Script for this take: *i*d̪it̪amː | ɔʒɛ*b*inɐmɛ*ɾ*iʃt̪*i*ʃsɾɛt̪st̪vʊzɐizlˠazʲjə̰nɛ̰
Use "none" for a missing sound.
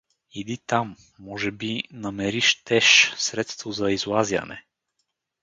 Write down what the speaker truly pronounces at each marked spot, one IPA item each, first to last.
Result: i, b, ɾ, ɛ

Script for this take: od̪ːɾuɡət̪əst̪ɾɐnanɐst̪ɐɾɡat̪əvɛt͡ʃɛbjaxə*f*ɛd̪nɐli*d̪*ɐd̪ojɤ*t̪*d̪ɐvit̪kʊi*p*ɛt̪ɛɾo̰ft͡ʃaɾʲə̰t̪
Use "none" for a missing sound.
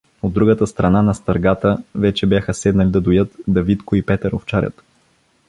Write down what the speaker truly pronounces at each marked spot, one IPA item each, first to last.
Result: s, d̪, t̪, p

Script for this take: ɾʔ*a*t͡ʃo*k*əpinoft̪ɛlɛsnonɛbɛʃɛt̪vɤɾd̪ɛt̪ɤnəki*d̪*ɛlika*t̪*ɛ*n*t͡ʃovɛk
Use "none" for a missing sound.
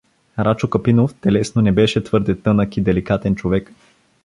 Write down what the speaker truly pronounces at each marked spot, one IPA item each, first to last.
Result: a, k, d̪, t̪, n

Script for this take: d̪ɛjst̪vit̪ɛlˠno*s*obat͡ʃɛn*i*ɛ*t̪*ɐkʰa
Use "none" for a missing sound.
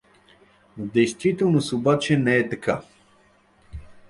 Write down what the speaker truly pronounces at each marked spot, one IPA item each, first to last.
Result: s, ɛ, t̪

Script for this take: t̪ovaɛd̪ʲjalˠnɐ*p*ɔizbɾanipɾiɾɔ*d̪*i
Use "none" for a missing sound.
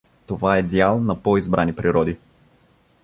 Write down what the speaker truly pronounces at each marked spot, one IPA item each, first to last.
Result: p, d̪

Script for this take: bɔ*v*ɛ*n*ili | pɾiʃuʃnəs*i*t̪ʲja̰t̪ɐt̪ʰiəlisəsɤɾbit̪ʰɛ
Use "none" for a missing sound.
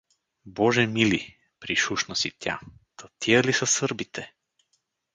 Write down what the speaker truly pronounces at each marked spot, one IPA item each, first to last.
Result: ʒ, m, i

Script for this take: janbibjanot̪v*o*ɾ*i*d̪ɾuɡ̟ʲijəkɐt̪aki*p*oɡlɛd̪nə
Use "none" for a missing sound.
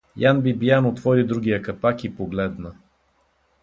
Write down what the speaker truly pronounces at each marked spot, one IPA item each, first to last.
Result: ɔ, i, p

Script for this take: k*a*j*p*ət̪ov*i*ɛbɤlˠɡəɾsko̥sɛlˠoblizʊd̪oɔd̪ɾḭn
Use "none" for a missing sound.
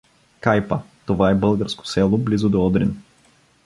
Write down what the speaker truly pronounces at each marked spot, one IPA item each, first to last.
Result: a, p, a

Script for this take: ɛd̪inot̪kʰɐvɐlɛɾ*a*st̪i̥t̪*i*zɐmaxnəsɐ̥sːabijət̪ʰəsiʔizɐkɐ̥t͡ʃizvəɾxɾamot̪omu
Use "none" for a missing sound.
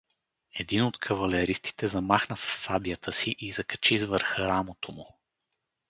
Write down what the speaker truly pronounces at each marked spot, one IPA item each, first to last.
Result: i, ɛ

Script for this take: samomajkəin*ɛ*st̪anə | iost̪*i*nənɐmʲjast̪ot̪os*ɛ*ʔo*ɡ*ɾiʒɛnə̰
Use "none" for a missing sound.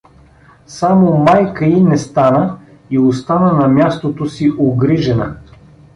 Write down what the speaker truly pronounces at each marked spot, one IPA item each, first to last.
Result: ɛ, a, i, ɡ

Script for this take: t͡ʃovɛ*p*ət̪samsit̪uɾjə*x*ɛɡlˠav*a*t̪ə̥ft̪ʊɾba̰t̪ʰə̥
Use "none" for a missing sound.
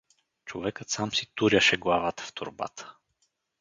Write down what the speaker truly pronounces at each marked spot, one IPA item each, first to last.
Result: k, ʃ, a

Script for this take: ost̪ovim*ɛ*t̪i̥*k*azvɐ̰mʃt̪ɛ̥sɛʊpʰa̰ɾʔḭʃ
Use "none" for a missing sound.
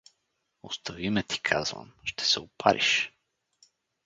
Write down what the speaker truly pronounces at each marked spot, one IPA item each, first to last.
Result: ɛ, kʰ

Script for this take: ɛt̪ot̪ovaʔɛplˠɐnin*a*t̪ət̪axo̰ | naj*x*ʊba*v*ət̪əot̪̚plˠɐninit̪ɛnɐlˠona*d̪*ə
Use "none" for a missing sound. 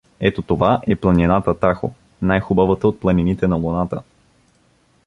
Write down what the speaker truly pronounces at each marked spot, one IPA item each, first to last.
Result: a, x, v, t̪

